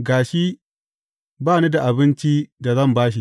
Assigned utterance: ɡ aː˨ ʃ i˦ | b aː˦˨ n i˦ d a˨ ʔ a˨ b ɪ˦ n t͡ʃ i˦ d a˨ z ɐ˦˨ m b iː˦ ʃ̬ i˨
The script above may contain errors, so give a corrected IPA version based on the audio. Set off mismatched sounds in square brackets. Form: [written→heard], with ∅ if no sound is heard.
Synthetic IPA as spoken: ɡ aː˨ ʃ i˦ | b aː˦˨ n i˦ d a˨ ʔ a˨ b ɪ˦ n t͡ʃ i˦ d a˨ z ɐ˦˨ m b [iː˦→aː˦] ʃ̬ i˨